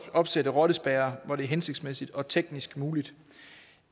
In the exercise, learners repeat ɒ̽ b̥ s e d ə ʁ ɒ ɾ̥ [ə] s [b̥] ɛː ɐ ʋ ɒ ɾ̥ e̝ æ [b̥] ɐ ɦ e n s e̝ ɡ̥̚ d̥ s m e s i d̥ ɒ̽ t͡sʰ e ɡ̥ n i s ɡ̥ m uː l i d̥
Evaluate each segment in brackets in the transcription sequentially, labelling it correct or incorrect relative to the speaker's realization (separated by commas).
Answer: correct, correct, incorrect